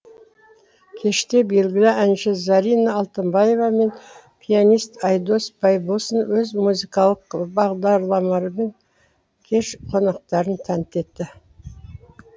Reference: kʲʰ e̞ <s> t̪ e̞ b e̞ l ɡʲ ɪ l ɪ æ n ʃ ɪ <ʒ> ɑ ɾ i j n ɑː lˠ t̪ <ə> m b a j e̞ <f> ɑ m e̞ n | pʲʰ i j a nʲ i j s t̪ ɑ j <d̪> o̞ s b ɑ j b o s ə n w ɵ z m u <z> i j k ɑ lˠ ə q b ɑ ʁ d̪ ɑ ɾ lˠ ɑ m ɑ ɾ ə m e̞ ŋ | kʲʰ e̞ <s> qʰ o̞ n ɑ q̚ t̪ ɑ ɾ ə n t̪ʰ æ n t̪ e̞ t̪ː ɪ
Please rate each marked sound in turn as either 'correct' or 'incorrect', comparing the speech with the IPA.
incorrect: ʃ, incorrect: z, correct, incorrect: v, correct, correct, incorrect: ʃ

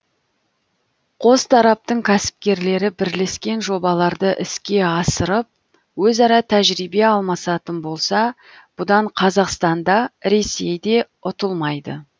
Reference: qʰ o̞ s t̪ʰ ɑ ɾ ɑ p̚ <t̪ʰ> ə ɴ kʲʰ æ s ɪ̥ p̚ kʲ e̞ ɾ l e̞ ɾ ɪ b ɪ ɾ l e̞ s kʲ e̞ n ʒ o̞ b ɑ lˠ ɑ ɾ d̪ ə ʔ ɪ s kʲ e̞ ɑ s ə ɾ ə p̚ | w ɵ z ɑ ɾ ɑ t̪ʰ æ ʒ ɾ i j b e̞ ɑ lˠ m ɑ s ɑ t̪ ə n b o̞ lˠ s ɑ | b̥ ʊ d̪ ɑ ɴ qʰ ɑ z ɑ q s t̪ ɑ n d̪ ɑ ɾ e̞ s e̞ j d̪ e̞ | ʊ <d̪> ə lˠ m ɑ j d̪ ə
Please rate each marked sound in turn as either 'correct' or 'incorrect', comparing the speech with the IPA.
incorrect: t̪, incorrect: t̪

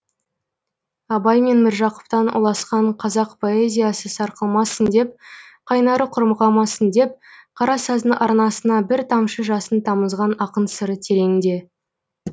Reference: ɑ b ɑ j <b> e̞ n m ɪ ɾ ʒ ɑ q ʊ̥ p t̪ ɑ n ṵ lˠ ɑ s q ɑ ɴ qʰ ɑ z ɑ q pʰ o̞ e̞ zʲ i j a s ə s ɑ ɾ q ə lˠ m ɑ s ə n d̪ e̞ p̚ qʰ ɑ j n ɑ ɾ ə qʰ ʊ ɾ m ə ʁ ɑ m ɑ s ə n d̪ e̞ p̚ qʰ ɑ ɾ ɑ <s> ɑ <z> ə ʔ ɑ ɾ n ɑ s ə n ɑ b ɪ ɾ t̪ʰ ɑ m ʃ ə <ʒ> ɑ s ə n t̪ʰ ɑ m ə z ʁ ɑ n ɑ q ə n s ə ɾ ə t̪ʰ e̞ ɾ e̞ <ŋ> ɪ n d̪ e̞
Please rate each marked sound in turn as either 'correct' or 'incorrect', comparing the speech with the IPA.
incorrect: m, correct, correct, correct, correct

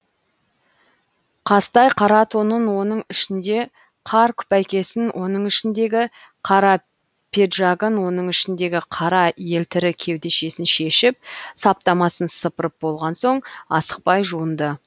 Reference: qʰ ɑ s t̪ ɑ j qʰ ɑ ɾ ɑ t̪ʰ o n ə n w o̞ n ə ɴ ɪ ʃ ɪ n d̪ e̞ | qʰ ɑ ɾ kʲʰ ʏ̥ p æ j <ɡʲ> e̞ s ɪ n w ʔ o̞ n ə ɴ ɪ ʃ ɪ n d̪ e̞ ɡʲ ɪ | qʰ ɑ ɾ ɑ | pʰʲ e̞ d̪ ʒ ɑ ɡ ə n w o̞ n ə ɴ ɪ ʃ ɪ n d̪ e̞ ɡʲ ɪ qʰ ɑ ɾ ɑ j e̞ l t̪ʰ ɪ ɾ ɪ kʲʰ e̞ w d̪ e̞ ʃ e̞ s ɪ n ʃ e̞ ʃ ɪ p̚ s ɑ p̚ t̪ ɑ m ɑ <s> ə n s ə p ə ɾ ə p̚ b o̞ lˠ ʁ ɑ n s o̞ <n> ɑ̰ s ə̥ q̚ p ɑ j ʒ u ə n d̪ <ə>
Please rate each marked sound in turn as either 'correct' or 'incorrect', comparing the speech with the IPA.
incorrect: kʲ, correct, incorrect: ɴ, correct

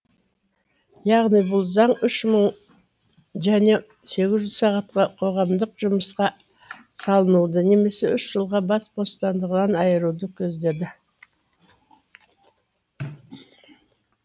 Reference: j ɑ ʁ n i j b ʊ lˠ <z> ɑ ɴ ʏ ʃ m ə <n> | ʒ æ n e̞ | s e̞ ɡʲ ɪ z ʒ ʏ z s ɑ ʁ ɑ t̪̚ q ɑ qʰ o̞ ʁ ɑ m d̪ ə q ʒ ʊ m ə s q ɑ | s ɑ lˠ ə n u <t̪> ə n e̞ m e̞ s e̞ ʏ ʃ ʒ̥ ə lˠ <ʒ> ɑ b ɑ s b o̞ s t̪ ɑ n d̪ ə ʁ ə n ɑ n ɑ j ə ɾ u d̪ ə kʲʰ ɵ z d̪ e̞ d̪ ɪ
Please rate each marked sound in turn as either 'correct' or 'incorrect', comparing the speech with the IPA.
correct, incorrect: ɴ, incorrect: d̪, incorrect: ʁ

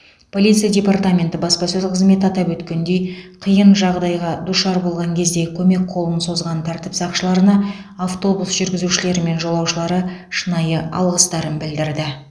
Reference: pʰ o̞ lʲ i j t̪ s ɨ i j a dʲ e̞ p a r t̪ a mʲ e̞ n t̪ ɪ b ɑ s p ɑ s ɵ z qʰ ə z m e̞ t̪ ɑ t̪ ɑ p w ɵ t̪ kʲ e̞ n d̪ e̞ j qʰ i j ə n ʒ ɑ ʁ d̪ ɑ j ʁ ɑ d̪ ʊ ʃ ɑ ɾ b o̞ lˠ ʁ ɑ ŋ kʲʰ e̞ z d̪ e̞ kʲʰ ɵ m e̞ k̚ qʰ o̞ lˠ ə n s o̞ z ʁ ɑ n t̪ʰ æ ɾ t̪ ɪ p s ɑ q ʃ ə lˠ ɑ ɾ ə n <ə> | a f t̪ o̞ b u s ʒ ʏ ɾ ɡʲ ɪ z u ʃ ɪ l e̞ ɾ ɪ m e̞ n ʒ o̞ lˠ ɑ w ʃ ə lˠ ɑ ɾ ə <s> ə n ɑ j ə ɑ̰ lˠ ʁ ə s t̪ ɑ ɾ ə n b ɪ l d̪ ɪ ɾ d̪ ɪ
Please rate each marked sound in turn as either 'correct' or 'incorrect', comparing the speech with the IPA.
incorrect: ɑ, incorrect: ʃ

